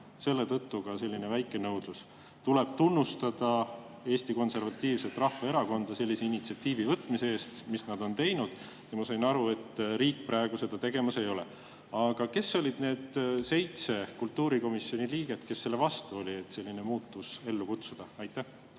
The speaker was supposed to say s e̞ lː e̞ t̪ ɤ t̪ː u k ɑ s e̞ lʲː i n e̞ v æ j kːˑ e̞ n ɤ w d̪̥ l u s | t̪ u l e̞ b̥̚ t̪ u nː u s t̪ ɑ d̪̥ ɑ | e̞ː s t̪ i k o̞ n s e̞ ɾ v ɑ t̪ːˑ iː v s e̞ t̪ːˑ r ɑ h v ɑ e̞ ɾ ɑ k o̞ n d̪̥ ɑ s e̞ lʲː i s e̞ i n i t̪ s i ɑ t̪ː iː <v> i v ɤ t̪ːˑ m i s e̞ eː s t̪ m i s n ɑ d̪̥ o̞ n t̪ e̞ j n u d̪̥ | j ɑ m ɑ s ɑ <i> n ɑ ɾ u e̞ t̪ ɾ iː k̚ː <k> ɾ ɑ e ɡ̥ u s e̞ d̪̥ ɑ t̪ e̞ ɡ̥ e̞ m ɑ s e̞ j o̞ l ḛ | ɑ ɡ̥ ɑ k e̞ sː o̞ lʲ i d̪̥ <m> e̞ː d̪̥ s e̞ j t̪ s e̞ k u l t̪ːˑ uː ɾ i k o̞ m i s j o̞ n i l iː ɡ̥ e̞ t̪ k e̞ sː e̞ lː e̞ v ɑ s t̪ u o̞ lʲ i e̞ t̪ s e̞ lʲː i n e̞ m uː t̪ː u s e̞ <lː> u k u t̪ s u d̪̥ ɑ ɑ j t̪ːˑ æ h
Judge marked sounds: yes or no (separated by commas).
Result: yes, no, no, no, yes